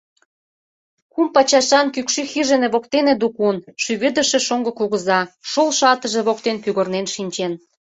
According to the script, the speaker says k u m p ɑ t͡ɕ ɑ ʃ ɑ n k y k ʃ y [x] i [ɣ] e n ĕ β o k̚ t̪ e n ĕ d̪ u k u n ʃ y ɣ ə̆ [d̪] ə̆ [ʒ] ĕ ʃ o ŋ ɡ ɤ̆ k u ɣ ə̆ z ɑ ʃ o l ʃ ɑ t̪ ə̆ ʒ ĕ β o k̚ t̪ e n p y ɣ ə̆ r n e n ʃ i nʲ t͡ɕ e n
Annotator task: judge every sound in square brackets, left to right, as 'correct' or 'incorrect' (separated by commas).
correct, incorrect, correct, incorrect